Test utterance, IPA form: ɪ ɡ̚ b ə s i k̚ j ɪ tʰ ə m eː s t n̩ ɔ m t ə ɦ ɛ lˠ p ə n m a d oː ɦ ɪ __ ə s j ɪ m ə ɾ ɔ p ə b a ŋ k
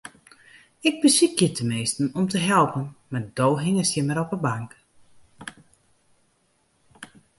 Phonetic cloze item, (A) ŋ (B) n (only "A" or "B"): A